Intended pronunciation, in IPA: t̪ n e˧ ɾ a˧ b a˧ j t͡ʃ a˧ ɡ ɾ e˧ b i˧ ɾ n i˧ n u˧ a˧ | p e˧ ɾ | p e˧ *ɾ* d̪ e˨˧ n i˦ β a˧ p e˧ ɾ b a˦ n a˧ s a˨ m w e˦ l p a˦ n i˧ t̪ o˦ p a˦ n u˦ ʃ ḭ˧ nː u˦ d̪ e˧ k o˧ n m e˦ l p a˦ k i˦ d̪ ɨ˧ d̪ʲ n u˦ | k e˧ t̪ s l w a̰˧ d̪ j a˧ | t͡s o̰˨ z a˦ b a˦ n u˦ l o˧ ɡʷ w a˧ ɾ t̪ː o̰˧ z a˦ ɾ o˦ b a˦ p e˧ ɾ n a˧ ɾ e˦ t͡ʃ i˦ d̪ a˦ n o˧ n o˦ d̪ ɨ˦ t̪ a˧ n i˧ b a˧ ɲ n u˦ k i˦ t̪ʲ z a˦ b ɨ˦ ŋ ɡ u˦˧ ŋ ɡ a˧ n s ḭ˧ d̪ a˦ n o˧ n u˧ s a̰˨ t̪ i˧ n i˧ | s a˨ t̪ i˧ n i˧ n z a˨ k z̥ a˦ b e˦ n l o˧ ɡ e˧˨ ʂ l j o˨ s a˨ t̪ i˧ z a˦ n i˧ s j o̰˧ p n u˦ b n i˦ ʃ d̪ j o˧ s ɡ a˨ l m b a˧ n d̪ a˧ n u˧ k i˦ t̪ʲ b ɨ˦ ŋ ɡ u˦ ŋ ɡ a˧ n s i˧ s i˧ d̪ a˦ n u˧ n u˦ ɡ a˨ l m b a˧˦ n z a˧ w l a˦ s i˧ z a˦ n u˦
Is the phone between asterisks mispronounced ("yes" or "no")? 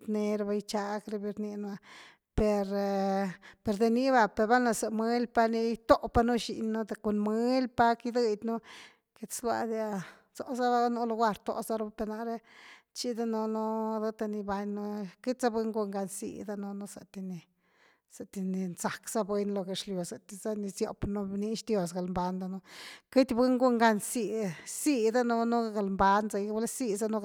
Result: no